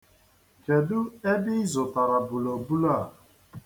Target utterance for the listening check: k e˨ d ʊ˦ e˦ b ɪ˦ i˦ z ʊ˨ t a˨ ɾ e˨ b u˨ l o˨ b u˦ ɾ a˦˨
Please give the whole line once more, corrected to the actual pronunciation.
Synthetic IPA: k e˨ d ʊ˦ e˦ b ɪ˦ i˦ z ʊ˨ t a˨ ɾ a˨ b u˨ l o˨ b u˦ l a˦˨